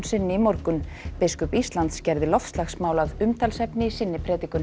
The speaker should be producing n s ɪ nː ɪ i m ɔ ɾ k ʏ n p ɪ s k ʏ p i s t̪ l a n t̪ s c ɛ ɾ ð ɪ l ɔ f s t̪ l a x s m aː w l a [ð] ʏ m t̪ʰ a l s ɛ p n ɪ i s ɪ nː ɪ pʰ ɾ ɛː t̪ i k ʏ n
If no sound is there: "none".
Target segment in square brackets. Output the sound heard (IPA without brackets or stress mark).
ð